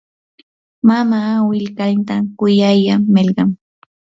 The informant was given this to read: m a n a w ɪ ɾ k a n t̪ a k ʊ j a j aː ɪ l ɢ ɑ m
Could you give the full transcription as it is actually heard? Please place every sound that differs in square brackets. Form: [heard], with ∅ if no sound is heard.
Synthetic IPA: m a [m] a w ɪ [l] k a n t̪ a k ʊ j a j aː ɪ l ɢ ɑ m